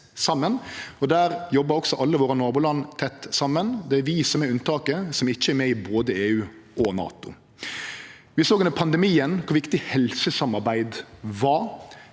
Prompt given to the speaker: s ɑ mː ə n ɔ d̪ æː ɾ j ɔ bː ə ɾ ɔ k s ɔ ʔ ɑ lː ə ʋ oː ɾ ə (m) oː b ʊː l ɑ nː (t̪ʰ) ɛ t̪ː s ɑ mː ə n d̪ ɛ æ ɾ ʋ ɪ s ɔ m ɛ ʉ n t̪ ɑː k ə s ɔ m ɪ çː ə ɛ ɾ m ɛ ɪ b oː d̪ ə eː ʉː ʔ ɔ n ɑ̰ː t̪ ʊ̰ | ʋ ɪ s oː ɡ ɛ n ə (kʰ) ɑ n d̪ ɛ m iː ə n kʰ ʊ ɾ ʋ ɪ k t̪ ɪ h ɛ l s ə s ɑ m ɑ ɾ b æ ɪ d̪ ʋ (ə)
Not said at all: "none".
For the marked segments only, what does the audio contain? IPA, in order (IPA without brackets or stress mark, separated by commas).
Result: n, t̪ʰ, pʰ, ɑ